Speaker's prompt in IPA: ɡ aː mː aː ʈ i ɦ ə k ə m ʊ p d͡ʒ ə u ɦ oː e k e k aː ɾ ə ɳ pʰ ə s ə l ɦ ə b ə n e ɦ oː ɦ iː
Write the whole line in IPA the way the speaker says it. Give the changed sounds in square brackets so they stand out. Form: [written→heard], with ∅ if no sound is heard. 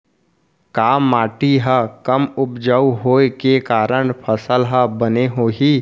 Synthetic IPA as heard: [ɡ→k] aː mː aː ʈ i ɦ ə k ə m ʊ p d͡ʒ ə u ɦ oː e k e k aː ɾ ə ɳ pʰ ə s ə l ɦ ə b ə n e ɦ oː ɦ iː